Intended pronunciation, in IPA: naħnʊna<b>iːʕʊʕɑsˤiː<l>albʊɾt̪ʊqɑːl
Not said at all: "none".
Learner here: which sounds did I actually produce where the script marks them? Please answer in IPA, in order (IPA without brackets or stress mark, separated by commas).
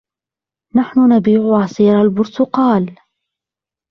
b, ɾ